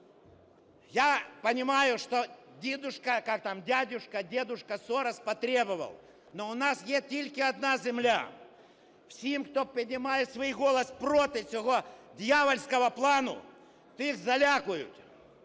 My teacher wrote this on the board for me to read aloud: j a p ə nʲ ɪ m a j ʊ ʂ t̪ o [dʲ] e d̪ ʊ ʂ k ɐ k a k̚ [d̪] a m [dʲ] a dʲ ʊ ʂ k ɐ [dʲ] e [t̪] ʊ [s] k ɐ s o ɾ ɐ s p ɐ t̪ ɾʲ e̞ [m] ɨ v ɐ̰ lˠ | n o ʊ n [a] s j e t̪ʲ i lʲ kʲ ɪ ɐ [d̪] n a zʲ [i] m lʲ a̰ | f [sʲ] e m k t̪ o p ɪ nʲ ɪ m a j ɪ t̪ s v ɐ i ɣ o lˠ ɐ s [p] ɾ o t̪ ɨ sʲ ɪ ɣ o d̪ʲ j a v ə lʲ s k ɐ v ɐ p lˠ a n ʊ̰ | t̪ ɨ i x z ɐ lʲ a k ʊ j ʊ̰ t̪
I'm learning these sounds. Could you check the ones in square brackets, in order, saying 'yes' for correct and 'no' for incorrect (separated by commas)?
yes, no, yes, yes, no, no, no, yes, yes, no, yes, yes